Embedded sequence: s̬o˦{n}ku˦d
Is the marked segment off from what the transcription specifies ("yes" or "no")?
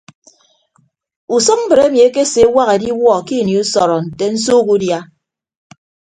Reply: yes